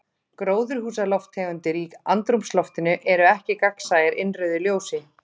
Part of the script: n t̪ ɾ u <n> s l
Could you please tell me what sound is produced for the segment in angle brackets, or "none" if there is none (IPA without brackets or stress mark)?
m